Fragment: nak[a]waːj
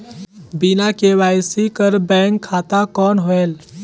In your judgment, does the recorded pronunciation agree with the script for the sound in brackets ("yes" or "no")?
no